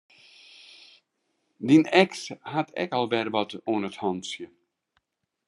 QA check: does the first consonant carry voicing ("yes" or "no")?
yes